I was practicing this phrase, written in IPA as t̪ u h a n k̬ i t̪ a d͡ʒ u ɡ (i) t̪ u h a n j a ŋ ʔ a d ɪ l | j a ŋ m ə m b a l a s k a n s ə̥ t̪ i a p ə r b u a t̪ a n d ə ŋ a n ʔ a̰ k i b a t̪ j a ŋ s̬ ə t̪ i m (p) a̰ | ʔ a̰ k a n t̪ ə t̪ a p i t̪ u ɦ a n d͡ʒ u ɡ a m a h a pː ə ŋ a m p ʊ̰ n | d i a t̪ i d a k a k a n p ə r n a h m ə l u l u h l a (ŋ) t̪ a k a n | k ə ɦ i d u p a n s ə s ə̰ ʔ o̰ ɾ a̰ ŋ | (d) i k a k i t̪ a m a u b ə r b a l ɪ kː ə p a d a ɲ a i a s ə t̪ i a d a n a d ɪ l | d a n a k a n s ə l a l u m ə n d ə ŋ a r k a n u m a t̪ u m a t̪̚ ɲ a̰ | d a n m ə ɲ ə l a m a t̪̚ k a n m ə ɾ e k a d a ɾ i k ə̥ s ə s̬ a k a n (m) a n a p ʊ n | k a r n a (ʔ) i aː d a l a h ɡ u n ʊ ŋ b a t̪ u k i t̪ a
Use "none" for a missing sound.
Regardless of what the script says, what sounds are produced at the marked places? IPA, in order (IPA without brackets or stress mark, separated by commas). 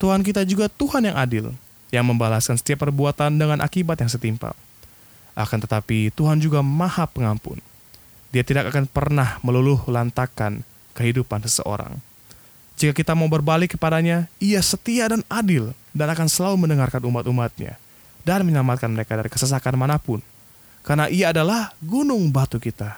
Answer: a, p, n, d͡ʒ, m, ʔ